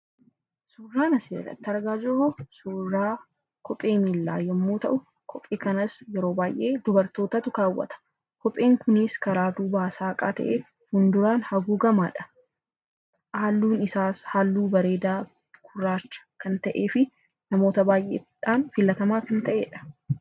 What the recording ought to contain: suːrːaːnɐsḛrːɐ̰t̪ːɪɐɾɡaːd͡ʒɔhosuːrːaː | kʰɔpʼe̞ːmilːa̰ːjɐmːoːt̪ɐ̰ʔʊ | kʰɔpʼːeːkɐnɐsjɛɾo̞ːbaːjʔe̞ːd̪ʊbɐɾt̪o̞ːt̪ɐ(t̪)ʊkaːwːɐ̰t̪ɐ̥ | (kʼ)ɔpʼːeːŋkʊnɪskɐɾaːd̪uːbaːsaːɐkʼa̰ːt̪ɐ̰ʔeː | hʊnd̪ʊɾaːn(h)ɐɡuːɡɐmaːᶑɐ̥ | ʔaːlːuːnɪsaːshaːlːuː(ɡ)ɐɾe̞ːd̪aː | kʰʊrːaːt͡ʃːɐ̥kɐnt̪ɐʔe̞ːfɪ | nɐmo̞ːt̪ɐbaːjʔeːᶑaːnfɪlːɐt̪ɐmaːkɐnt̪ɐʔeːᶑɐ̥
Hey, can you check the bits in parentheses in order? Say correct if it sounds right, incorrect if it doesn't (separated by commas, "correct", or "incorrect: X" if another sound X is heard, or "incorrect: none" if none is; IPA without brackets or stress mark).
correct, incorrect: k, correct, incorrect: b